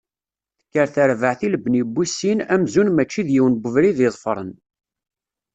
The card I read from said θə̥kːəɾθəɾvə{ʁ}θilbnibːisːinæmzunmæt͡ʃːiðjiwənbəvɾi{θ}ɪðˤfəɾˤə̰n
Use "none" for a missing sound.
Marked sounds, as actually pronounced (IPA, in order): ʕ, ð

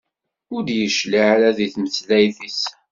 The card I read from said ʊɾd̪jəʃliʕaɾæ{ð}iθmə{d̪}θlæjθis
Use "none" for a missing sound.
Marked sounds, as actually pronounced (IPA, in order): ð, none

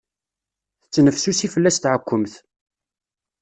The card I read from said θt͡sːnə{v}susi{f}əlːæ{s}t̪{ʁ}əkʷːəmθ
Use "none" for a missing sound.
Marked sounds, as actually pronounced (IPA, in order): f, f, s, ʕ

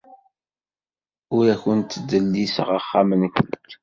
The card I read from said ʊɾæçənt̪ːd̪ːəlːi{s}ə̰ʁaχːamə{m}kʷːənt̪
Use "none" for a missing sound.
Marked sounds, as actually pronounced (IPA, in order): s, n

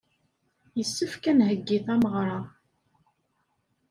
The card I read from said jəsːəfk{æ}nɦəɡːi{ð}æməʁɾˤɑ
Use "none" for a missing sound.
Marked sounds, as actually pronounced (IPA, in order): æ, θ

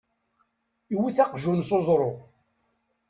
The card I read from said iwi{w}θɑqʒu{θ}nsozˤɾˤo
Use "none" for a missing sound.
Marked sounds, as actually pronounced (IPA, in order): none, none

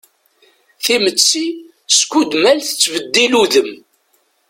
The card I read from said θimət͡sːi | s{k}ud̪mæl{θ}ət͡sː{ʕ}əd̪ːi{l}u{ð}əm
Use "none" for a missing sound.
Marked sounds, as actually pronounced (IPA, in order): k, θ, v, l, ð

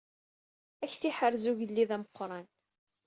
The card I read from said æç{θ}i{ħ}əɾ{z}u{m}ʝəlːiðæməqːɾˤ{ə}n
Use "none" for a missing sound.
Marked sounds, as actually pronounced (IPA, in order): θ, ħ, z, none, ɑ

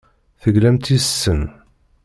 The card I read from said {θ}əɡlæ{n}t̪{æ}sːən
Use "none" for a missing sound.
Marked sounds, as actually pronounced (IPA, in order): θ, m, i

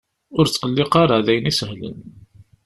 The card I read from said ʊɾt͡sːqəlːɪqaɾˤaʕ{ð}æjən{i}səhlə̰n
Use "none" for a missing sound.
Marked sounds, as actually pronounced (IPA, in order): ð, i

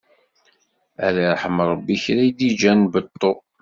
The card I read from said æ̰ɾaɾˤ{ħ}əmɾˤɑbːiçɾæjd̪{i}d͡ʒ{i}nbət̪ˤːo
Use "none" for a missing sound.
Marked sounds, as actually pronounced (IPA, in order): ħ, i, æ

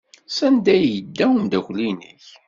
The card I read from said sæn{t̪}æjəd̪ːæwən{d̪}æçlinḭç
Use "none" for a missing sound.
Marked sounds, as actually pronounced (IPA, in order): d̪, d̪

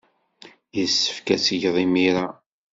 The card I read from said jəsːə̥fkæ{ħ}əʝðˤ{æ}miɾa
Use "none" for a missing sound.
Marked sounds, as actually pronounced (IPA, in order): s, i

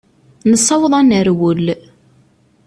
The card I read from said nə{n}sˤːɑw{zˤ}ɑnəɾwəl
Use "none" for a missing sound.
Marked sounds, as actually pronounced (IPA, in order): none, ðˤ

